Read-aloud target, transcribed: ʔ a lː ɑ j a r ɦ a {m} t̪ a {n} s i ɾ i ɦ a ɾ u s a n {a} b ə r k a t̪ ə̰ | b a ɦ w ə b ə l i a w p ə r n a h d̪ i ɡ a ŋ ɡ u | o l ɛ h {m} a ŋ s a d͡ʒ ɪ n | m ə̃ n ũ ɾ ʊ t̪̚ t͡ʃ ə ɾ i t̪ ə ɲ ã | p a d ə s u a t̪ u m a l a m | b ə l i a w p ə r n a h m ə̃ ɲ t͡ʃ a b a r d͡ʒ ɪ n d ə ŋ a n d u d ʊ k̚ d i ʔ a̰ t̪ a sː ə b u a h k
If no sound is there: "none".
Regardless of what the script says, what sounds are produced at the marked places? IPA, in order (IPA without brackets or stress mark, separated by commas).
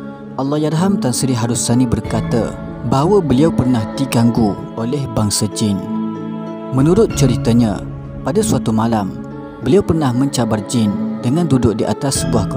m, n, i, b